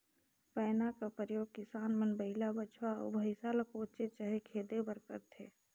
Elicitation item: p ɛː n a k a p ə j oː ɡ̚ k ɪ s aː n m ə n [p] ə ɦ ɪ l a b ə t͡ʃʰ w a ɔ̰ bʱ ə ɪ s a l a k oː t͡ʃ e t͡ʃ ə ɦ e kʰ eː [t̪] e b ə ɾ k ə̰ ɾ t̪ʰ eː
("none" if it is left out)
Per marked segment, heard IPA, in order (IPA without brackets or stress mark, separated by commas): b, d̪